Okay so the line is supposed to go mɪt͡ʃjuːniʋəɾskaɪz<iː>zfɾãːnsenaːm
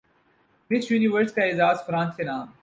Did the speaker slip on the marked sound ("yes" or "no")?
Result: yes